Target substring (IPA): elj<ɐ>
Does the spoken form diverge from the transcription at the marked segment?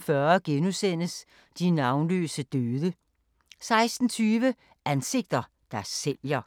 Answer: no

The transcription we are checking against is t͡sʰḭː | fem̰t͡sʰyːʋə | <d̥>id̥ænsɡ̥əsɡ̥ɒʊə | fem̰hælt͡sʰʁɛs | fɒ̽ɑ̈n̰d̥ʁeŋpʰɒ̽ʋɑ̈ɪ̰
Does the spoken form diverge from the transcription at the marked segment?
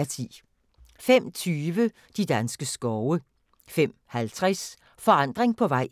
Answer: no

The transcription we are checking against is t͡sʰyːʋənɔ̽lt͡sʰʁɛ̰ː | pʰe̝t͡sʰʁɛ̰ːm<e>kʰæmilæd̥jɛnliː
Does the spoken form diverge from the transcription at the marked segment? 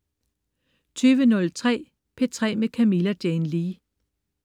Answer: no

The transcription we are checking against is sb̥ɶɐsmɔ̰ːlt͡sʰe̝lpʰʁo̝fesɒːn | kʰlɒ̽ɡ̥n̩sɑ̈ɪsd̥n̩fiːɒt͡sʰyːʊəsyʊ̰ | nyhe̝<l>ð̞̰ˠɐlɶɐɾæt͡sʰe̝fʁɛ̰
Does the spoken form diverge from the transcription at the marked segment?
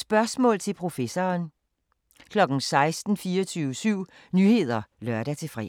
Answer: yes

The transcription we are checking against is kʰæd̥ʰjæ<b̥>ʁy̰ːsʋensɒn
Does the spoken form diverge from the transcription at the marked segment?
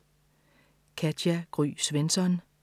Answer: yes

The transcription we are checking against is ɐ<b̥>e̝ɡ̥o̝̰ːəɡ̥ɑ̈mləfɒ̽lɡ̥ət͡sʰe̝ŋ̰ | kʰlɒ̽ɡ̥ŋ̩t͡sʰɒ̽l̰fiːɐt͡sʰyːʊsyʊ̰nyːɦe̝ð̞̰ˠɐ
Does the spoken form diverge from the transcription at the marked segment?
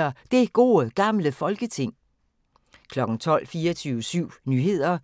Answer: yes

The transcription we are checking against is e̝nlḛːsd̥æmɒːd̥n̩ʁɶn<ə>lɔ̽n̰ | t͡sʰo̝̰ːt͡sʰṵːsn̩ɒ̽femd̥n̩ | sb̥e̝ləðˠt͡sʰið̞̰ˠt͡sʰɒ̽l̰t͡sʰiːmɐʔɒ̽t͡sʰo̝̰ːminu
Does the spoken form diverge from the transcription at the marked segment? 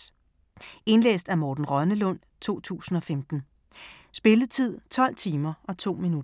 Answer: no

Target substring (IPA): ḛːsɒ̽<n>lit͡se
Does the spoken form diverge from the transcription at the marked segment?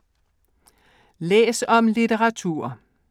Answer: yes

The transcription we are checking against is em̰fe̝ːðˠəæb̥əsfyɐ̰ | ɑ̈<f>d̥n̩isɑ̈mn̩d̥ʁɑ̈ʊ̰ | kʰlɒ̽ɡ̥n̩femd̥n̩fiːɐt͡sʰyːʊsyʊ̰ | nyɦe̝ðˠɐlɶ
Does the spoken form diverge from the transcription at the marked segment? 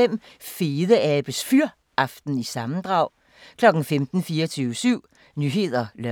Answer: no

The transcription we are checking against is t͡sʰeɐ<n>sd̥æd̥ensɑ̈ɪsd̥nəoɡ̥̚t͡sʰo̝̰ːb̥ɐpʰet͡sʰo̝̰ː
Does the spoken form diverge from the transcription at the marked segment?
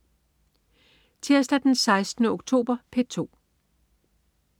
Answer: yes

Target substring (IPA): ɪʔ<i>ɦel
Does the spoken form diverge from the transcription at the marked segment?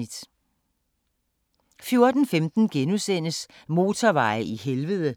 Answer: no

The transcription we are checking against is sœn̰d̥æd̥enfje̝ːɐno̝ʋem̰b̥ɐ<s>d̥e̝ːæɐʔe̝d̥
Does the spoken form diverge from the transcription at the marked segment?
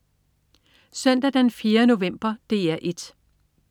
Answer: yes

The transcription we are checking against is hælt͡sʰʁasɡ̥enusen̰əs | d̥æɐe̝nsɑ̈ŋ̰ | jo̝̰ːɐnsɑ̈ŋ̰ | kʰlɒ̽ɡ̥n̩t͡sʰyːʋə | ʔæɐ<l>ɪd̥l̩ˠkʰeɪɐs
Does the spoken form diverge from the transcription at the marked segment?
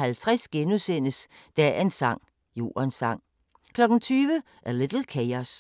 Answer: no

